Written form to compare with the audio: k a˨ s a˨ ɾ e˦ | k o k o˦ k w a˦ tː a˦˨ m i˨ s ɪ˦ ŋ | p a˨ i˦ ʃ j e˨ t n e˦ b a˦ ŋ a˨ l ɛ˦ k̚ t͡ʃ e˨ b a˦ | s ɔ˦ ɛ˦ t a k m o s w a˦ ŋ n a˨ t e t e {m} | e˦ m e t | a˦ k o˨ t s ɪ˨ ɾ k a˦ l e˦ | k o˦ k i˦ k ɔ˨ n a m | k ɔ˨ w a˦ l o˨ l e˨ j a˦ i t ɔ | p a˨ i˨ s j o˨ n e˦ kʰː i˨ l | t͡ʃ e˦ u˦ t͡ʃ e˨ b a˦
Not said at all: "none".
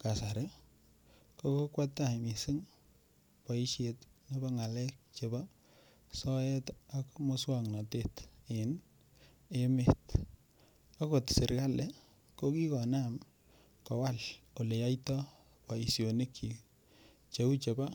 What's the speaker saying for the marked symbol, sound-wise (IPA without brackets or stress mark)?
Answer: n